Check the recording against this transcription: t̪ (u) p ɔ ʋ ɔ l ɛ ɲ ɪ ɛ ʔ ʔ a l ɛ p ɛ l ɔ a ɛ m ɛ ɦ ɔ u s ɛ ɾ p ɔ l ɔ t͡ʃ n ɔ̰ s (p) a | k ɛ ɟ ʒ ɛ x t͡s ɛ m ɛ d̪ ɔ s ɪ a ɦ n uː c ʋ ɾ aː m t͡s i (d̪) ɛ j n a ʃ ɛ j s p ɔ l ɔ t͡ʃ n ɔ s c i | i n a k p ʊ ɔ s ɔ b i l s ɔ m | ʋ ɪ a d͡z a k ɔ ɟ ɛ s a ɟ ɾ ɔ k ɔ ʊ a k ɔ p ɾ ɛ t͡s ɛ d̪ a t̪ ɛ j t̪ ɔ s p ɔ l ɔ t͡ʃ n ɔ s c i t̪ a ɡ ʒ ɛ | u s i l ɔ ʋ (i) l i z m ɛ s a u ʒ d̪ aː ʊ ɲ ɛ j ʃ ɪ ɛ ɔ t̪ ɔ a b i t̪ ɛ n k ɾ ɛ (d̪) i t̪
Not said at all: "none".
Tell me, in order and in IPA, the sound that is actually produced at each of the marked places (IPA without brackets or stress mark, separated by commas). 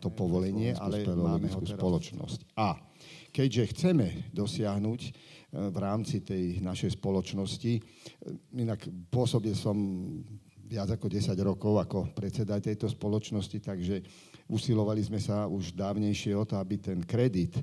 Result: ɔ, c, t̪, a, d̪